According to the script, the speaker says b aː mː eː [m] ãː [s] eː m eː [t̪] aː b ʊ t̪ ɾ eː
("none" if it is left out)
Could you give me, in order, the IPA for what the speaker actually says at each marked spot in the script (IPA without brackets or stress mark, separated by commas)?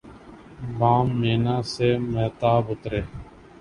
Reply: n, s, t̪